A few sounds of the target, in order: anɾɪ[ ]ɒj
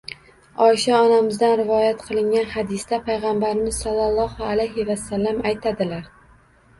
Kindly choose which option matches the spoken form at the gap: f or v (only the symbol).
v